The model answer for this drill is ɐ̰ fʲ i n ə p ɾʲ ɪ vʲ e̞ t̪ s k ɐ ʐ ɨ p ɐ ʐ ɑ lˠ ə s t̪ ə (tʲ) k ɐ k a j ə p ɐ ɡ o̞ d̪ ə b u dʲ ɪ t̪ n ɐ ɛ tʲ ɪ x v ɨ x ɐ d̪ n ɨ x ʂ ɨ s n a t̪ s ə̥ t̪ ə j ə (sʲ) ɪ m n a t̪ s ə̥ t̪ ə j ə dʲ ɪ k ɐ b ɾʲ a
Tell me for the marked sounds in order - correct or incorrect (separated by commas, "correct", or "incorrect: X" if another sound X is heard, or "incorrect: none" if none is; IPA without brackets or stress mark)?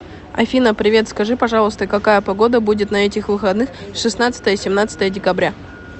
incorrect: none, correct